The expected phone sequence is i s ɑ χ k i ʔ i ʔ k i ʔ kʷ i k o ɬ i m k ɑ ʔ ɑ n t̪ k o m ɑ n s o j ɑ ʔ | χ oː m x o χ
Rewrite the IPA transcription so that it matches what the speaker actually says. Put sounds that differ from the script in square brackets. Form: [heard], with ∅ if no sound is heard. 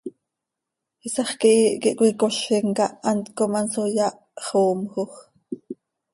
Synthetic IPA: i s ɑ χ k i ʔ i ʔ k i ʔ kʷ i k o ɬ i [ŋ] k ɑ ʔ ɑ n t̪ k o m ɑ n s o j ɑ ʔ | χ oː m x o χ